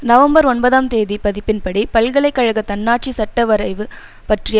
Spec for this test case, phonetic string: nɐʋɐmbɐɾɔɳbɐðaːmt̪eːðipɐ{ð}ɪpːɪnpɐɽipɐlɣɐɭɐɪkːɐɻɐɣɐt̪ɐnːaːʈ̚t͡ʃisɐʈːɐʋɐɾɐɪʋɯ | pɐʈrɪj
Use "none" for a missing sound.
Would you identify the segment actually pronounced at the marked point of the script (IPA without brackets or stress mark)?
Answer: ð